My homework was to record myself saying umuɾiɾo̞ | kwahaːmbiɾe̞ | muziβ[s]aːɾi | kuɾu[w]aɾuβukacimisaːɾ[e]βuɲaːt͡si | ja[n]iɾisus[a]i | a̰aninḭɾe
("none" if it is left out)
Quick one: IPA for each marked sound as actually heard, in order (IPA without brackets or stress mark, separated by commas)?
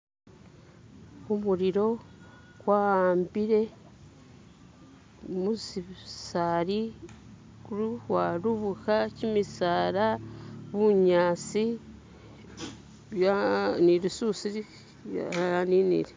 s, w, a, n, i